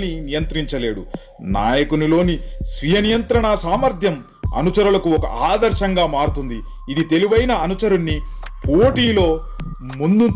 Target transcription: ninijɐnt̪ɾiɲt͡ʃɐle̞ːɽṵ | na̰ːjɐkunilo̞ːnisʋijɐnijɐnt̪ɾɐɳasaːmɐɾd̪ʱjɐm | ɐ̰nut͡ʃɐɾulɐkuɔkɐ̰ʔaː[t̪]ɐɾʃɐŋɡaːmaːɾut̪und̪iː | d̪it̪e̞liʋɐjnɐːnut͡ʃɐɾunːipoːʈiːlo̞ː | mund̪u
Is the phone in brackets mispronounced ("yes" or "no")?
yes